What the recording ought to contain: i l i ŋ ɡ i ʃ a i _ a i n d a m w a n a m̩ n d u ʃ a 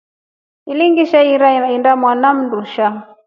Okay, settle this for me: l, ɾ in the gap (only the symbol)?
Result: ɾ